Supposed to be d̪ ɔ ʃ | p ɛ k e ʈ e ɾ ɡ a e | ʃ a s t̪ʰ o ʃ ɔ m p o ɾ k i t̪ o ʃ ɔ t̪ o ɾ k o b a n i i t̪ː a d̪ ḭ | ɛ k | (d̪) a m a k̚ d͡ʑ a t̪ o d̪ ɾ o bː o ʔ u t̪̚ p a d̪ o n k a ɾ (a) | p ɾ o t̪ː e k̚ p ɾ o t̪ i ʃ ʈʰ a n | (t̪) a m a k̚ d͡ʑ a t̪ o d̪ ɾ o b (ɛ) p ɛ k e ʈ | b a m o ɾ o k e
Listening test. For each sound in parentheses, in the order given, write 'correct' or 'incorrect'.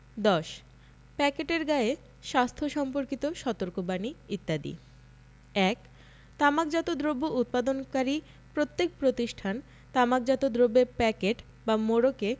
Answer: incorrect, incorrect, correct, incorrect

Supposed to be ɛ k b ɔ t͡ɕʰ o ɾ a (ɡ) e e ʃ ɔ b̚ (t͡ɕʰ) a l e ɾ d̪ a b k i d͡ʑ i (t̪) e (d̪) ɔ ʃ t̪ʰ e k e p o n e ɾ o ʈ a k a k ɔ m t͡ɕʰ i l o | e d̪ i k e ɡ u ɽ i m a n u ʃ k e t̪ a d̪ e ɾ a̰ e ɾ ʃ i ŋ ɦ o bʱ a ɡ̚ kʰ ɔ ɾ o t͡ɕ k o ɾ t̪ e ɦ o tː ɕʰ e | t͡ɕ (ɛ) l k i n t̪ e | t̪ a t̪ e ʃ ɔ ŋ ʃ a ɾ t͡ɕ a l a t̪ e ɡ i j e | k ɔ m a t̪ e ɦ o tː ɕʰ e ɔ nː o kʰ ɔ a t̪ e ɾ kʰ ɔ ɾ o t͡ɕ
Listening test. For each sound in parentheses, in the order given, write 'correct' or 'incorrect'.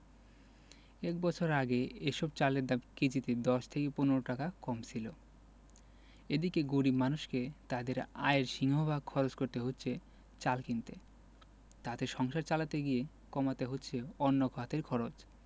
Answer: correct, incorrect, correct, correct, incorrect

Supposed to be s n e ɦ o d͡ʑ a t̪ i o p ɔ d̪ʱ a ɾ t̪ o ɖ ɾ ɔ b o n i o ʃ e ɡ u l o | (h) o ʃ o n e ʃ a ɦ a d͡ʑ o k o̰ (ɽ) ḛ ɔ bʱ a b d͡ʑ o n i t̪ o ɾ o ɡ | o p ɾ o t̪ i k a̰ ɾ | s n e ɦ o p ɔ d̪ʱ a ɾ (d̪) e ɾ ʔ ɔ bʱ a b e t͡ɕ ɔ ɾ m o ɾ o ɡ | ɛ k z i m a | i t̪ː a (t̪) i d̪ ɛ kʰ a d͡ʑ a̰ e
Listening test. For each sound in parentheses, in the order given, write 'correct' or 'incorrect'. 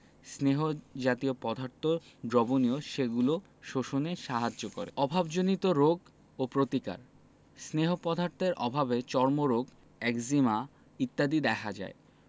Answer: incorrect, incorrect, incorrect, incorrect

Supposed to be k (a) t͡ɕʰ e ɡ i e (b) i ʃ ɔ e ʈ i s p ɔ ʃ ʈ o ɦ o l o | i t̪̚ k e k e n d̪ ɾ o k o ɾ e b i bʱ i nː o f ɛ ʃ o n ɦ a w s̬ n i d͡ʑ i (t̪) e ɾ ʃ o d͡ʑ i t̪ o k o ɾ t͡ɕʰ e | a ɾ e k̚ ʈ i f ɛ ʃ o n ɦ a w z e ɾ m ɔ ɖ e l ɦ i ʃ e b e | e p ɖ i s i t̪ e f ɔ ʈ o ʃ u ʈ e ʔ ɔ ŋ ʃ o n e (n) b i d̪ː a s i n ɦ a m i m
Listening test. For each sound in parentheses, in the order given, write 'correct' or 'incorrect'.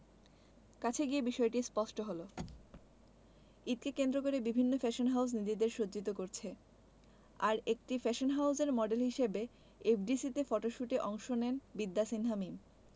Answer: correct, correct, incorrect, correct

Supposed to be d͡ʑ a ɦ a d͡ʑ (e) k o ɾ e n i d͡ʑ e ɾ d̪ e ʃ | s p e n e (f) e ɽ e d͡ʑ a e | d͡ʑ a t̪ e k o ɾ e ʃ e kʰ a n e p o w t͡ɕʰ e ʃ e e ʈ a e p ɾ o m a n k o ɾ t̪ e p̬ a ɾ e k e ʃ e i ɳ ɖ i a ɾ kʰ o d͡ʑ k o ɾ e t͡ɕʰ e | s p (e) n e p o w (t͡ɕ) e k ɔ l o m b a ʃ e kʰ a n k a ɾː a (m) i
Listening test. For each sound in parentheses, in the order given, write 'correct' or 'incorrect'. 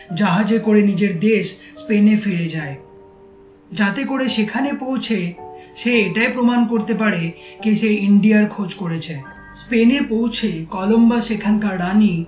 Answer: correct, correct, correct, incorrect, incorrect

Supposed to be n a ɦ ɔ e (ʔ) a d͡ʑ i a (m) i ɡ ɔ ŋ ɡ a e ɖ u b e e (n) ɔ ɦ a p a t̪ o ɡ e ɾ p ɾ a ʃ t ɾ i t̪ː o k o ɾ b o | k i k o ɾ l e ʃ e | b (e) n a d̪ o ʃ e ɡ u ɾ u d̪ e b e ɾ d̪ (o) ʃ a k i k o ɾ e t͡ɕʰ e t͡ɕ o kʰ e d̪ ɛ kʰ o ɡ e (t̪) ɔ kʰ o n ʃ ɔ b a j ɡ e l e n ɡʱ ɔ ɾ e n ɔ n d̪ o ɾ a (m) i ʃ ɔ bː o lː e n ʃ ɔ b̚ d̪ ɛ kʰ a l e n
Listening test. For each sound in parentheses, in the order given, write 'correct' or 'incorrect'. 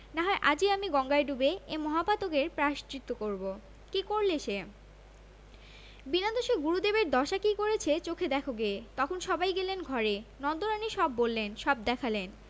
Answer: correct, correct, incorrect, incorrect, incorrect, correct, incorrect

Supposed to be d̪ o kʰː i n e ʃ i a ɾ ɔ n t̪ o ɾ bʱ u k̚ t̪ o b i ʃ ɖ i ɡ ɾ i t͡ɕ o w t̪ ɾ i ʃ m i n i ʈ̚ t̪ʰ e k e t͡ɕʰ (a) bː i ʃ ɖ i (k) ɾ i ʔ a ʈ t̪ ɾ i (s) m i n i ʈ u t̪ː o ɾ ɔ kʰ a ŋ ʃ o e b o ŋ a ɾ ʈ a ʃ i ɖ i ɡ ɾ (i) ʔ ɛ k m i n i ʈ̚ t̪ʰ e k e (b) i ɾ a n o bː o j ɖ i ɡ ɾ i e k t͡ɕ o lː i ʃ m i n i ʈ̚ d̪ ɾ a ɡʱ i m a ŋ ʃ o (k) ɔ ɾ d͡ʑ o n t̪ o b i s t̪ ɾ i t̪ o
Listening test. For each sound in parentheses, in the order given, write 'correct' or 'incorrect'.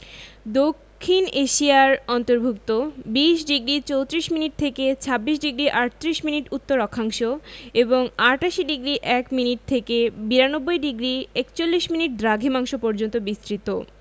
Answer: correct, incorrect, incorrect, correct, correct, incorrect

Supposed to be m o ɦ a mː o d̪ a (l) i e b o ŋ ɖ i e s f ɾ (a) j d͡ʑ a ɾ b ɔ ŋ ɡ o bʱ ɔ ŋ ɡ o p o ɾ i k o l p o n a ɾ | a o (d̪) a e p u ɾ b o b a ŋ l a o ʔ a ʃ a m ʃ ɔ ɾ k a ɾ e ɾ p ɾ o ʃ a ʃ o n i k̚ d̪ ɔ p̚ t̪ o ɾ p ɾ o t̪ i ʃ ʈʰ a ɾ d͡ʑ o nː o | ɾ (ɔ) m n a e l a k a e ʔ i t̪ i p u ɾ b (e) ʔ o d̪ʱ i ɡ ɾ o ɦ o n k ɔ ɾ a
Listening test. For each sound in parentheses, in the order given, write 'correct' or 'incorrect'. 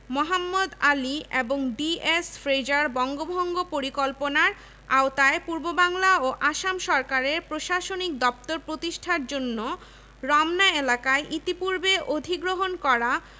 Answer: correct, incorrect, incorrect, correct, correct

